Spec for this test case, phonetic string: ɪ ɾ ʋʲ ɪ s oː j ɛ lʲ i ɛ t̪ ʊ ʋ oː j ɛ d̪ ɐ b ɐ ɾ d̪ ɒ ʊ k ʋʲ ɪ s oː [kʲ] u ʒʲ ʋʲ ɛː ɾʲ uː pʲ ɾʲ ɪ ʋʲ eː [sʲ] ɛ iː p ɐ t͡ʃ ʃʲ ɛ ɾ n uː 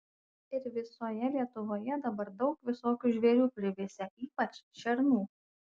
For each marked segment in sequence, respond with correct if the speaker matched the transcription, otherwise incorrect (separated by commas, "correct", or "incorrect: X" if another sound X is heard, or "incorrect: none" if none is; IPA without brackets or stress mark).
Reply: correct, correct